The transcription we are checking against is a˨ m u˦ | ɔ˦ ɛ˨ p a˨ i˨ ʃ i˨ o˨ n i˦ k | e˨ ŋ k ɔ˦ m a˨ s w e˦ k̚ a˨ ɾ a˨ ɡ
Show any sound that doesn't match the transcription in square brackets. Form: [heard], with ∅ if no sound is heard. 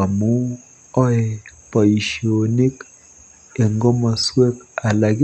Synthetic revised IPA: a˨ m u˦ | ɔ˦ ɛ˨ p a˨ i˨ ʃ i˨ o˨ n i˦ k | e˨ ŋ [ɡ] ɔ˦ m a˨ s w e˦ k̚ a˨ [l] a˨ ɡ